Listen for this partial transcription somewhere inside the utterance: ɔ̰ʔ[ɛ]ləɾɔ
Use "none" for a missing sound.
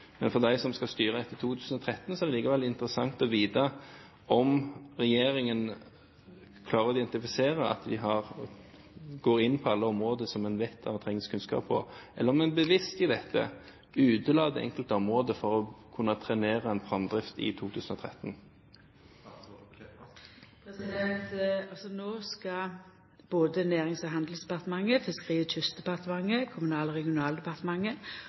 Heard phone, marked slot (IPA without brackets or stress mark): ɛ